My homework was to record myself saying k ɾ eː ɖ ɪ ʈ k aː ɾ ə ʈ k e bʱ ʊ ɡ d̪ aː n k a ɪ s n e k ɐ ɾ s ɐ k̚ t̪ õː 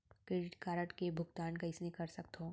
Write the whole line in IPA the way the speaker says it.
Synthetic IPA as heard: k ɾ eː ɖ ɪ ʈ k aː ɾ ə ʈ k e bʱ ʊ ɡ t̪ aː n k a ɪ s n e k ɐ ɾ s ɐ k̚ t̪ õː